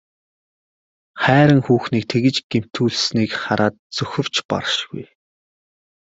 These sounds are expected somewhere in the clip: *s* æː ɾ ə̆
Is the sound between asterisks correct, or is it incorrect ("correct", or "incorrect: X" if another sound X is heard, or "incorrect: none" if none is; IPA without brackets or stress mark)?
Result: incorrect: χ